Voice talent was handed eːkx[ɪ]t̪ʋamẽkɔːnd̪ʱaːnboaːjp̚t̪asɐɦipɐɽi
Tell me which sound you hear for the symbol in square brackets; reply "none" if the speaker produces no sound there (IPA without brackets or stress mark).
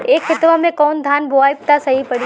ɪ